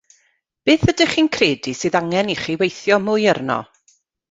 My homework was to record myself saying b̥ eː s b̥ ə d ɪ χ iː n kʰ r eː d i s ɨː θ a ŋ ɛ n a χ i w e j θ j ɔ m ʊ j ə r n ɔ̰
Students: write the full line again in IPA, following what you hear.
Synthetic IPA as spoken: b̥ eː θ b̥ ə d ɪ χ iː n kʰ r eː d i s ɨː ð a ŋ ɛ n i χ i w e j θ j ɔ m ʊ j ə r n ɔ̰